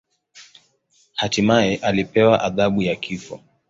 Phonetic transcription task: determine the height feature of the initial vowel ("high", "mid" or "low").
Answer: low